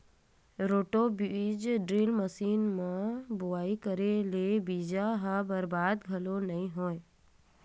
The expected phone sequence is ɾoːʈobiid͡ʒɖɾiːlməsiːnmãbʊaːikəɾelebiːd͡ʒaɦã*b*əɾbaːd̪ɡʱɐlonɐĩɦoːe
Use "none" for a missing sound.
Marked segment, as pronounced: b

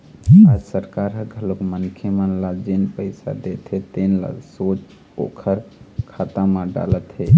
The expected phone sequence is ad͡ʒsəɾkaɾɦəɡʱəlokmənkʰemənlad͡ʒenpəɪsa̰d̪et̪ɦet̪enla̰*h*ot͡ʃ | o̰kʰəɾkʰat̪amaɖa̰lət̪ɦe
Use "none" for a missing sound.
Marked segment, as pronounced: s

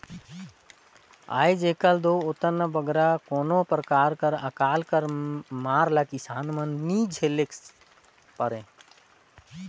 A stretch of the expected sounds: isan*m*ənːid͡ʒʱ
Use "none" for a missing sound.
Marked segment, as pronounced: m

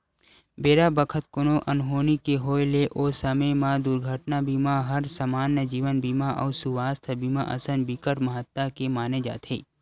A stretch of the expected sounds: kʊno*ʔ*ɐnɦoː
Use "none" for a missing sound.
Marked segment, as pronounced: ʔ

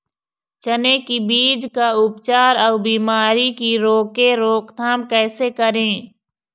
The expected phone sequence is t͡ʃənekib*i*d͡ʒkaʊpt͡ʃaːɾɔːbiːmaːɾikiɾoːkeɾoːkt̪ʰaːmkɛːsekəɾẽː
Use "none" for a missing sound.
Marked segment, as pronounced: iː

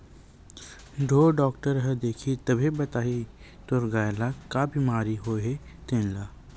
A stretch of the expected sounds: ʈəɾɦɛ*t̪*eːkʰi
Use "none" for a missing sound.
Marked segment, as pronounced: d̪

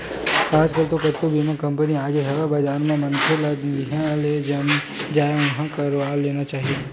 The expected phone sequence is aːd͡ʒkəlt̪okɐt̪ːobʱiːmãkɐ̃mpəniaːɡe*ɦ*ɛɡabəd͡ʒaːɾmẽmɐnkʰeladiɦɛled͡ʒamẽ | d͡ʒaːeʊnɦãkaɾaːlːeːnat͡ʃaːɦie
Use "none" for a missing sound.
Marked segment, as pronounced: ɦ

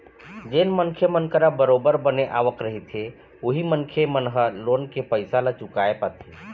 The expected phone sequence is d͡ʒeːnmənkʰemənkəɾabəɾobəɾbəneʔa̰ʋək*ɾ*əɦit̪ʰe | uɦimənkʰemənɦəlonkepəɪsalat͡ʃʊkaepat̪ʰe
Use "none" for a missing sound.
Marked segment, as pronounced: ɾ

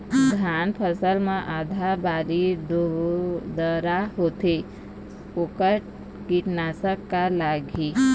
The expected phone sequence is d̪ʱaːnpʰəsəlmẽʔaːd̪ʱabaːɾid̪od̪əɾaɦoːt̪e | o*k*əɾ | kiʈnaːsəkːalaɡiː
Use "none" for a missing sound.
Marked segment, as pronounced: k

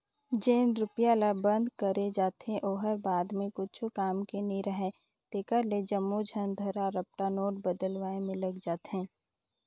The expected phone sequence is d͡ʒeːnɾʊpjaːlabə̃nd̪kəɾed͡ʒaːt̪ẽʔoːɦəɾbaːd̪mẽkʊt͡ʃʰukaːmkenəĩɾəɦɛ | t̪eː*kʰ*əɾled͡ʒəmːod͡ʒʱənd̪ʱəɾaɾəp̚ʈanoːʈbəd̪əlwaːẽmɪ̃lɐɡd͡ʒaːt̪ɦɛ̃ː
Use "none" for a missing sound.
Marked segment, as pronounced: k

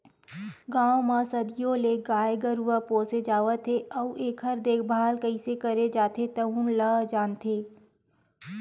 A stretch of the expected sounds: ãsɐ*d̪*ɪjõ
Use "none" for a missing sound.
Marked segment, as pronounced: d̪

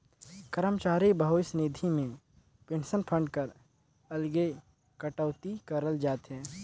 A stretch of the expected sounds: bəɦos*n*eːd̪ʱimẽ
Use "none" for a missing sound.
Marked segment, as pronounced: n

